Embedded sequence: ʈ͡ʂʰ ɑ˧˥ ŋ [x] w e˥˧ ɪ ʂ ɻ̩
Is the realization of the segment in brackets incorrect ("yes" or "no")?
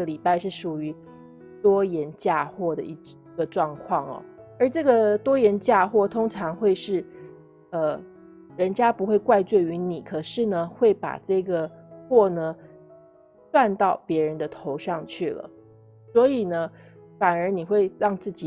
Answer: no